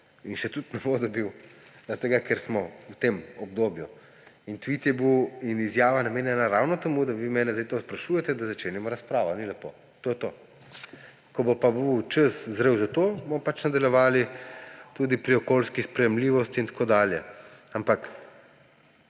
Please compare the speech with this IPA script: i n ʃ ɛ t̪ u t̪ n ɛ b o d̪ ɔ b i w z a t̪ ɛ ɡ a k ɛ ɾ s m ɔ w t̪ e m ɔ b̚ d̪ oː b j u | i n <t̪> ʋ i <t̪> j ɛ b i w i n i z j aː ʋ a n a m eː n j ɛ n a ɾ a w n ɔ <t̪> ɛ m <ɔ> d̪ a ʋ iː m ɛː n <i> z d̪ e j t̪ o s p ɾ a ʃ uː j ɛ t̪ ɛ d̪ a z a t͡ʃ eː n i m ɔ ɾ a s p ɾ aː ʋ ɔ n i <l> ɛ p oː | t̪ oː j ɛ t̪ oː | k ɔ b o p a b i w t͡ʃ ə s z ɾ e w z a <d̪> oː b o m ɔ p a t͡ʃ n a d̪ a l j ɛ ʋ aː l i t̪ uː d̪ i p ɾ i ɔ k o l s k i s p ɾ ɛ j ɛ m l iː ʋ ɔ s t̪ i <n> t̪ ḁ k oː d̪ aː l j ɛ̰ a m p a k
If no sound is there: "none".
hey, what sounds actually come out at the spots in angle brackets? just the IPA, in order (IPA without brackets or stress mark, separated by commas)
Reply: t̪, t̪, t̪, u, ɛ, l, t̪, n